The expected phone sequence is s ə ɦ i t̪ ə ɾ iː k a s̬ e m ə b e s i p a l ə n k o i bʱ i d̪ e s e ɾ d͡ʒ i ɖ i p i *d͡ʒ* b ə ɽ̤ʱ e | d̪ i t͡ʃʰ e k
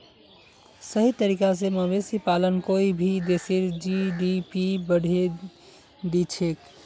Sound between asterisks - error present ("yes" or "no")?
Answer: yes